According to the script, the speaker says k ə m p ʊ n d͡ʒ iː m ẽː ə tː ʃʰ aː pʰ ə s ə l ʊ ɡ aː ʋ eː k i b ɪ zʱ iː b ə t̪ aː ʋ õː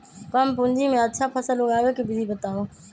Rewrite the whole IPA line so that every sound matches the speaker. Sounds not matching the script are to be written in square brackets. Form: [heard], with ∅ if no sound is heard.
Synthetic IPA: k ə m p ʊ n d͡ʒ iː m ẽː ə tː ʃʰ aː pʰ ə s ə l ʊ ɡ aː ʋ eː k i b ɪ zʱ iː b ə t̪ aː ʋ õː